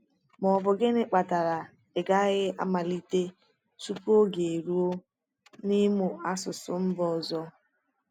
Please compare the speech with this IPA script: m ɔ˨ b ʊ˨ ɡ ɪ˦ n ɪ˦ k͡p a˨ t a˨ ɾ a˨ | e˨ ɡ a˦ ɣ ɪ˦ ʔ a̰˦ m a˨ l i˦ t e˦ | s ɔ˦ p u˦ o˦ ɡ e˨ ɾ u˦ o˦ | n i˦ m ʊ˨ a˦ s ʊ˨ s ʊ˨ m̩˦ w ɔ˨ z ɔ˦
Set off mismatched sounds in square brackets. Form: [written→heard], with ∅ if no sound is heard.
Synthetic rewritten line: m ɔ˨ b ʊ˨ ɡ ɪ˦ n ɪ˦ k͡p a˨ t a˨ ɾ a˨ | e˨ ɡ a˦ ɣ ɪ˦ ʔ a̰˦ m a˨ l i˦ t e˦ | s [ɔ˦→u˦] p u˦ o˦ ɡ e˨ ɾ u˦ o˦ | n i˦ m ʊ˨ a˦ s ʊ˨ s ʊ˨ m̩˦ [w→b] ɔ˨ z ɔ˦